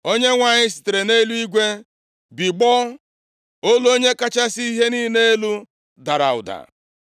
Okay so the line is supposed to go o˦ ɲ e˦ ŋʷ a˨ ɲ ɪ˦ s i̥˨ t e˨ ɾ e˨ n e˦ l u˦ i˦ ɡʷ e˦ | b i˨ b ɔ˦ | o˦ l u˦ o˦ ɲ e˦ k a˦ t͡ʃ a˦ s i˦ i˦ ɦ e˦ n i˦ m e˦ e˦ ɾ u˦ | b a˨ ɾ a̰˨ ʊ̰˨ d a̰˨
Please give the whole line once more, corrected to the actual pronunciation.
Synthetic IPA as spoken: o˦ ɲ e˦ ŋʷ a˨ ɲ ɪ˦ s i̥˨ t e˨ ɾ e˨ n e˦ l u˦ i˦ ɡʷ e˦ | b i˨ ɡ͡b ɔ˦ | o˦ l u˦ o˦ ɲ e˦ k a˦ t͡ʃ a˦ s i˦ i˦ ɦ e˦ n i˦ n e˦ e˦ l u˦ | d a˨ ɾ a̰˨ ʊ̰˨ d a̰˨